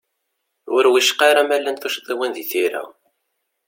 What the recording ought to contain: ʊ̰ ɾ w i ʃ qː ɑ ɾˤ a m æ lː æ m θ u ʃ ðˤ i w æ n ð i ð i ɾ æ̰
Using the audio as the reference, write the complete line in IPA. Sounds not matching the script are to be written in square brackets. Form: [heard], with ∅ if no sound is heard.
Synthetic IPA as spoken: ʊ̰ ɾ w i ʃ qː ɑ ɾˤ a m æ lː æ [n] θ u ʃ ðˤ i w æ n ð i [θ] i ɾ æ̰